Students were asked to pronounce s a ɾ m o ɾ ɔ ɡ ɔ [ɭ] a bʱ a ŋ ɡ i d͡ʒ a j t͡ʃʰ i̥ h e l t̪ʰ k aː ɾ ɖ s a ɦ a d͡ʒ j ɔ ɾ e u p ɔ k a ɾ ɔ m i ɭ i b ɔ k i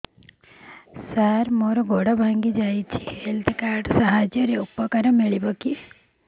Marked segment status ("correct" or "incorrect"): incorrect